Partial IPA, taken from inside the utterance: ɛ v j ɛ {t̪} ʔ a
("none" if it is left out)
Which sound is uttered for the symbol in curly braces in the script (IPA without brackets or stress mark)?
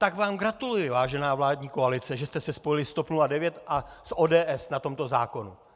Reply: t̪